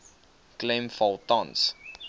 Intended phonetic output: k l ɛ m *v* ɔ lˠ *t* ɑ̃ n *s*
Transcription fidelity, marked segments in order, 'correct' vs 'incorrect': incorrect, correct, correct

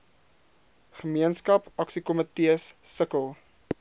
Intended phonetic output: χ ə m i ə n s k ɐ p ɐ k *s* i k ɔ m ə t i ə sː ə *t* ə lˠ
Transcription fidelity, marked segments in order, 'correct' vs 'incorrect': correct, incorrect

